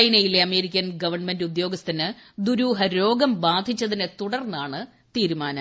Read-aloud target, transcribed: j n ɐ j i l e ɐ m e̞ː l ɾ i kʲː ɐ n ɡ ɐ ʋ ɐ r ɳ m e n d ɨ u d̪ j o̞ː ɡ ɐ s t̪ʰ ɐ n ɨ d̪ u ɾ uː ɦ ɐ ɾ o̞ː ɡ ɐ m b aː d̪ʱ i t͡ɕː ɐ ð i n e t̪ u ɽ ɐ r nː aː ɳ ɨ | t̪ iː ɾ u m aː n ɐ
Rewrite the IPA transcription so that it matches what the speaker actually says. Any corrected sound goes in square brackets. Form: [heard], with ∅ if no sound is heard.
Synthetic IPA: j n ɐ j i l e ɐ m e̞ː [∅] ɾ i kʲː ɐ n ɡ ɐ ʋ ɐ r ɳ m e n d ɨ u d̪ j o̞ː ɡ ɐ s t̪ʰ ɐ n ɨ d̪ u ɾ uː ɦ ɐ ɾ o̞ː ɡ ɐ m b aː d̪ʱ i t͡ɕː ɐ ð i n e t̪ u ɽ ɐ r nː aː ɳ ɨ | t̪ iː ɾ u m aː n ɐ